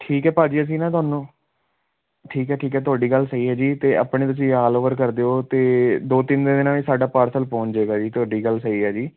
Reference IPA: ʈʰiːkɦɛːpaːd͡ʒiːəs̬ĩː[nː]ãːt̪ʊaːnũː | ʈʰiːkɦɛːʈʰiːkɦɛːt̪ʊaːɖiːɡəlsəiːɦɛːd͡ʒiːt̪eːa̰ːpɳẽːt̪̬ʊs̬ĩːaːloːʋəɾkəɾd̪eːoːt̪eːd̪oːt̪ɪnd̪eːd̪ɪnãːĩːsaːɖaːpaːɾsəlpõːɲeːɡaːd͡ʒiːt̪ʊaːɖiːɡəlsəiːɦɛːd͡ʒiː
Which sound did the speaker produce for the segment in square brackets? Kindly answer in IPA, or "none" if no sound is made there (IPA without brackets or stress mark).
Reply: n